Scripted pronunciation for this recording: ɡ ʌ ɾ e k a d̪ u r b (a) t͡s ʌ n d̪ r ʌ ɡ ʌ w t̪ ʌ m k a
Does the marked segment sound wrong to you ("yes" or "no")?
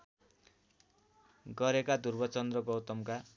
yes